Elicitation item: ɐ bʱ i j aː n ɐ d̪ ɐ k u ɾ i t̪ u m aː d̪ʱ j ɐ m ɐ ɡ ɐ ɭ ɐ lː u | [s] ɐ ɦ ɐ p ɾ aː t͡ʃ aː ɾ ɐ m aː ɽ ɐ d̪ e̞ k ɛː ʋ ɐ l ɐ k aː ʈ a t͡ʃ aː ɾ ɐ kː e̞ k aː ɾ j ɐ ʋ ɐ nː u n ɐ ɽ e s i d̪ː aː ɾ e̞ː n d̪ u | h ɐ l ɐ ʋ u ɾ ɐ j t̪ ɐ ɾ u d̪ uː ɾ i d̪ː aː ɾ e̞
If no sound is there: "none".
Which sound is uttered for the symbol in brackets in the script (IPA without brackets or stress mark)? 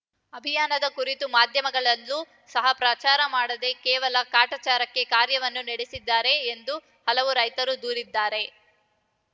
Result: s